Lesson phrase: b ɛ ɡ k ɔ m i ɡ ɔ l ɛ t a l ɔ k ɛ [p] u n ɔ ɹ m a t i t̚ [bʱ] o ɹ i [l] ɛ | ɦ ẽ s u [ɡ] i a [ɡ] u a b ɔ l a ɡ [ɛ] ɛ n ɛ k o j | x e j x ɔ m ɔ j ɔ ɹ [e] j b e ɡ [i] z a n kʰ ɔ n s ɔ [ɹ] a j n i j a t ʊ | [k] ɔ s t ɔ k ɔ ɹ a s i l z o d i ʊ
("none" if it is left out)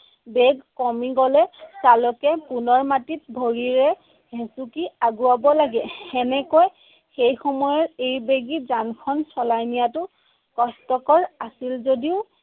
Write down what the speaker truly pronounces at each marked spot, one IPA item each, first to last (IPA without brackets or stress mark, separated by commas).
p, bʱ, ɹ, k, ɡ, ɛ, e, i, l, k